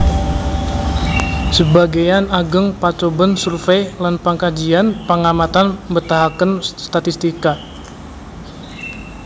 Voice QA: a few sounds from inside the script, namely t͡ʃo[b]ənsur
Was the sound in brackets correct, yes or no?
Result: yes